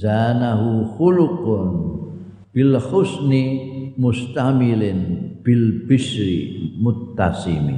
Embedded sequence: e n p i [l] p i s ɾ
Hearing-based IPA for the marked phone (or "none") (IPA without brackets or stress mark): l